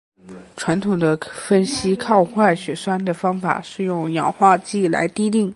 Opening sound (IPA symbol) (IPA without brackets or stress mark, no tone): ʈ͡ʂʰ